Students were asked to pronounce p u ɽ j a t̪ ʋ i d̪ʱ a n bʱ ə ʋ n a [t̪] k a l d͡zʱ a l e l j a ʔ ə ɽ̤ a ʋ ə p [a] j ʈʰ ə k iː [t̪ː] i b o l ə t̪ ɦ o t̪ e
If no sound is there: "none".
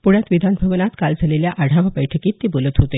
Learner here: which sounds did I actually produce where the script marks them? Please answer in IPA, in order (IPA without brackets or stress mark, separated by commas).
t̪, ə, t̪ː